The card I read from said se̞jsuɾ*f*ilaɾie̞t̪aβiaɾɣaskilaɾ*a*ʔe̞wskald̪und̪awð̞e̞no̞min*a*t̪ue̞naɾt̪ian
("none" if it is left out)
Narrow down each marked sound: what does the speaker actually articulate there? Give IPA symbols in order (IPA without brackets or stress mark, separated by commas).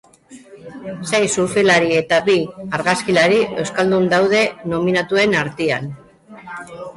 f, i, a